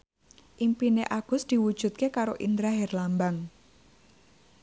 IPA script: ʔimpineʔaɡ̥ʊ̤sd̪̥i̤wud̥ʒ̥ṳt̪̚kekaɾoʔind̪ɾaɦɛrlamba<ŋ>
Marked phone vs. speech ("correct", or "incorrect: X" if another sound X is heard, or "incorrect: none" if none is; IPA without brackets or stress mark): correct